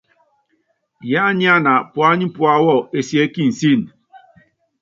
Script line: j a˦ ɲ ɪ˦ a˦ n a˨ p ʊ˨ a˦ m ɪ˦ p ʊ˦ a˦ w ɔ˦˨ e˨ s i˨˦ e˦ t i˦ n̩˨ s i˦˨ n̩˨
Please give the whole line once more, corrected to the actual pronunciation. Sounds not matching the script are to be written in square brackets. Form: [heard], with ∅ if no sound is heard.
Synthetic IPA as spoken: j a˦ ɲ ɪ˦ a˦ n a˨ p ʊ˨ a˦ [ɲ] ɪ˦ p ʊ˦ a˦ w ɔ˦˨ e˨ s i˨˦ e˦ [k] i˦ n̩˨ s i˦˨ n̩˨